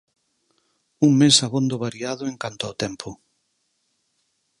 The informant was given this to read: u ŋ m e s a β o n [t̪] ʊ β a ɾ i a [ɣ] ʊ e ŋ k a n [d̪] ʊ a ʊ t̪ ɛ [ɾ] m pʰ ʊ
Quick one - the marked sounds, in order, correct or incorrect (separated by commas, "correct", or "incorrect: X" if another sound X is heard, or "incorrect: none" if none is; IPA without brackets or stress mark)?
incorrect: d̪, incorrect: ð, incorrect: t̪, incorrect: none